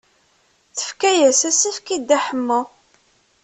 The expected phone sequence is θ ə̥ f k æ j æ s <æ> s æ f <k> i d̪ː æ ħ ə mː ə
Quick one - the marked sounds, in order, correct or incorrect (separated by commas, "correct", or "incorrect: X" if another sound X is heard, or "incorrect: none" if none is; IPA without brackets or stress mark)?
correct, correct